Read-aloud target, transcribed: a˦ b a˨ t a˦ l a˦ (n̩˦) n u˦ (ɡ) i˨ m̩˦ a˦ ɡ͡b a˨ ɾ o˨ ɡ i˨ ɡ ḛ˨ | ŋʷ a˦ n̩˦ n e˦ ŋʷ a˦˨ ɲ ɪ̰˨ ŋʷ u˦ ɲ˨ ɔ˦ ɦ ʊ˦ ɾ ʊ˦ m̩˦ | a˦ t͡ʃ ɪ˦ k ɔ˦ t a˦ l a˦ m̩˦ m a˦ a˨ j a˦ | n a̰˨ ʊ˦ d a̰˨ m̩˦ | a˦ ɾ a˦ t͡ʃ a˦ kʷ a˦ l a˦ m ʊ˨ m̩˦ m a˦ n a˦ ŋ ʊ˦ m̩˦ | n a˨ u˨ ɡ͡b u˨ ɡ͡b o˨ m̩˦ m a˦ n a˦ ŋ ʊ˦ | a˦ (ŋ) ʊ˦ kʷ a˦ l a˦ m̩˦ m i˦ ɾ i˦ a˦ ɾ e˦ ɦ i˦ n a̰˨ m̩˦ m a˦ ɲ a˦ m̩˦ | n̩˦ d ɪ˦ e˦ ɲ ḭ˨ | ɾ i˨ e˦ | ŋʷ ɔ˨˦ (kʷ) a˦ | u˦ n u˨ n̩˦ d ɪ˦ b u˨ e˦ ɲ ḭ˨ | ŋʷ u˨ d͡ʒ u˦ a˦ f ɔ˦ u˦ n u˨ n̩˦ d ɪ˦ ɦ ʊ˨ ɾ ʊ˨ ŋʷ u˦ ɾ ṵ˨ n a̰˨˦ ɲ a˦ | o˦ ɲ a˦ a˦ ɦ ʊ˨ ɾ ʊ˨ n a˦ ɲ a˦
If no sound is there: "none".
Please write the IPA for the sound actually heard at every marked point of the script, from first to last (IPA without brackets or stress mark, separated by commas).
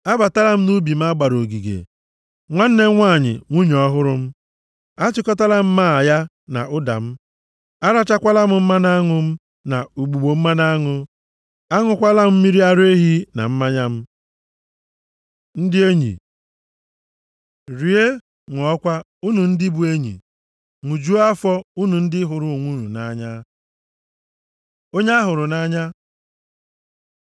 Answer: m̩˦, b, ŋ, kʷ